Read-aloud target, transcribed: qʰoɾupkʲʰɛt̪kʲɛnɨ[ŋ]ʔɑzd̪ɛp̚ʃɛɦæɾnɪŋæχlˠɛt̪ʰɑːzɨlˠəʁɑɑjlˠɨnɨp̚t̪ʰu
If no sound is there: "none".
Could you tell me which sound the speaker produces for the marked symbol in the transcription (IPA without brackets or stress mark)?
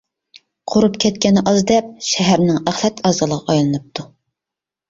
none